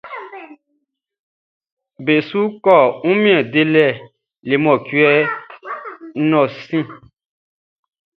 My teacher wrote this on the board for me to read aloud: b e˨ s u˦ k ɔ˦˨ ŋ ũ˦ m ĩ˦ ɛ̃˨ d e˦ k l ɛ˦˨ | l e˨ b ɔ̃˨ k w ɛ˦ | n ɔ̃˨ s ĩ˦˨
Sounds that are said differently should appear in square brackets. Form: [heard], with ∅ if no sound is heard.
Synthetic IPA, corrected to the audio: b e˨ s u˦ k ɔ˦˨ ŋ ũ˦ m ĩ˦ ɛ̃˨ d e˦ [∅] l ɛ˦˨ | l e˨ [m] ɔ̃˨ k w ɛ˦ | n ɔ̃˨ s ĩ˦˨

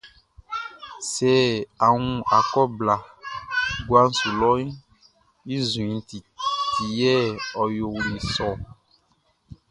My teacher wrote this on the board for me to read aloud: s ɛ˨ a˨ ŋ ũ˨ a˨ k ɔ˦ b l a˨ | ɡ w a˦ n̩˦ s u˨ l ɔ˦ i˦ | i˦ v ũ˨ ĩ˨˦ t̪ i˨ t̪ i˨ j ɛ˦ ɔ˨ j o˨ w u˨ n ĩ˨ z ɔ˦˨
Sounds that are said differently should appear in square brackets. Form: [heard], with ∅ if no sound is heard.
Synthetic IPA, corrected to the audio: s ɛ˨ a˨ ŋ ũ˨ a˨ k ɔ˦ b l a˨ | ɡ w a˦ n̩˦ s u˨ l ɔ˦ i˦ | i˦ [z] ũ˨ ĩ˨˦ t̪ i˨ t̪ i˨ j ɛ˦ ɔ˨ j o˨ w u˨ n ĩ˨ [s] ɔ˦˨

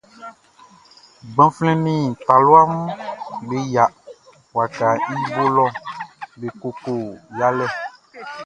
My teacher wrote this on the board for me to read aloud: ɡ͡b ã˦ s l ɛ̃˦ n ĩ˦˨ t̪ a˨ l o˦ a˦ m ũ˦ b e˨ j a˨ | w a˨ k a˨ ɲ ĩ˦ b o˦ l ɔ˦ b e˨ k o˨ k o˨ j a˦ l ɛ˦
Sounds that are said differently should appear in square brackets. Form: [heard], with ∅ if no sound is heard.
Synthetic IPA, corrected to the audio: ɡ͡b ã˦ [f] l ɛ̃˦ n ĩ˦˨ t̪ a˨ l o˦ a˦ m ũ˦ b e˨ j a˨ | w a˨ k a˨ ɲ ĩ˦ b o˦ l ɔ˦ b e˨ k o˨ k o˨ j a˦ l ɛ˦

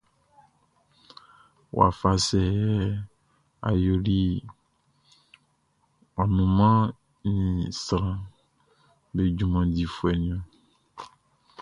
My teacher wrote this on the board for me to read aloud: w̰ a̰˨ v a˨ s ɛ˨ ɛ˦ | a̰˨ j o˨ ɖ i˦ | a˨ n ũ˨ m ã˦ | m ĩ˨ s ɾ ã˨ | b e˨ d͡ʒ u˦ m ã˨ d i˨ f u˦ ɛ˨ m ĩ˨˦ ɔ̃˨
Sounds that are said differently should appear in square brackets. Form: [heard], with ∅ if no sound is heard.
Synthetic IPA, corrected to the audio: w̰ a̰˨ [f] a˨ s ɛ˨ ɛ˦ | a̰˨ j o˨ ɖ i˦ | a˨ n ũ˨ m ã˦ | [n] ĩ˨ s ɾ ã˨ | b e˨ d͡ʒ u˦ m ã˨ d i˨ f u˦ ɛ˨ [n] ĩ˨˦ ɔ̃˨

